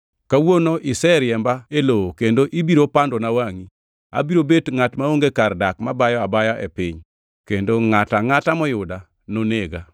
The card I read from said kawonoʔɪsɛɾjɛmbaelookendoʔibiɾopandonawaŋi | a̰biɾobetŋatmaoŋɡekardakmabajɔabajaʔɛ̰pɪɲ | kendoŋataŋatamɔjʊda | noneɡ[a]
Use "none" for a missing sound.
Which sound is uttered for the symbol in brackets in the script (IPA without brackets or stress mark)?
a